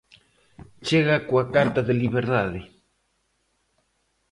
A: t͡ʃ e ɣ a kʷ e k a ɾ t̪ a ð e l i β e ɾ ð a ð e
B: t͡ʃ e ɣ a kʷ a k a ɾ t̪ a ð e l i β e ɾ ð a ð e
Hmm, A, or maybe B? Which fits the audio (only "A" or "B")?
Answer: B